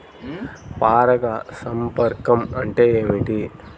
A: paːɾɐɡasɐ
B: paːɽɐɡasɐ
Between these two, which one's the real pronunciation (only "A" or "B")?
A